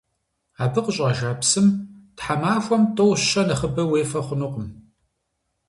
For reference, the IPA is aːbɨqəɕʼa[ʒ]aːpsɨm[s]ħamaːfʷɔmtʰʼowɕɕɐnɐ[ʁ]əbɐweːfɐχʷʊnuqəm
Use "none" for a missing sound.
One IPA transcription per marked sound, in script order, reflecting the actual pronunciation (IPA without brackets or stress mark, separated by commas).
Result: ʒ, t, χ